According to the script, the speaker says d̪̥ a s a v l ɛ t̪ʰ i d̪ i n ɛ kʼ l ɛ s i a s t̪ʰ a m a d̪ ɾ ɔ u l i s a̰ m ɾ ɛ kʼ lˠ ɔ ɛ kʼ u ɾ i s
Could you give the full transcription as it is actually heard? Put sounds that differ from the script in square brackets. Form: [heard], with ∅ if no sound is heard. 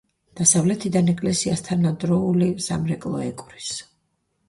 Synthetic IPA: d̪̥ a s a v l ɛ t̪ʰ i d̪ [a] n ɛ kʼ l ɛ s i a s t̪ʰ a [n] a d̪ ɾ ɔ u l i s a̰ m ɾ ɛ kʼ lˠ ɔ ɛ kʼ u ɾ i s